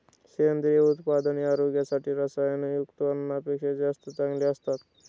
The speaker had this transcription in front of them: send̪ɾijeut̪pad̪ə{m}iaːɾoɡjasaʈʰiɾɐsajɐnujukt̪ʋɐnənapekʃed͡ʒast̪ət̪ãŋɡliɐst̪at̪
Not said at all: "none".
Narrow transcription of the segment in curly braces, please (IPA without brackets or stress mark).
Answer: n